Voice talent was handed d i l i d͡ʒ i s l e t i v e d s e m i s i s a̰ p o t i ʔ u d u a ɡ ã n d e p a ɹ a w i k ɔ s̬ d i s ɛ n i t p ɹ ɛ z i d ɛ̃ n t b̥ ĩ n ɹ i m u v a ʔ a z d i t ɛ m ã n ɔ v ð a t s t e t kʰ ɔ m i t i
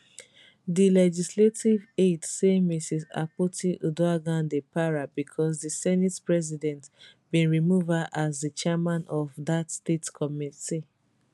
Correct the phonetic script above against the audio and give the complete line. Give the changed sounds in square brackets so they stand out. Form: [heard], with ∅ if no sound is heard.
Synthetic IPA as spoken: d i l [ɛ] d͡ʒ i s l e t i v e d s e m i s i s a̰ p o t i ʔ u d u a ɡ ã n d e p a ɹ a [b] i [kʰ] ɔ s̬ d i s ɛ n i t p ɹ ɛ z i d ɛ̃ n t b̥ ĩ n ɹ i m u v a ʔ a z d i [t͡ʃ] ɛ m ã n ɔ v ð a t s t e t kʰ ɔ m i t i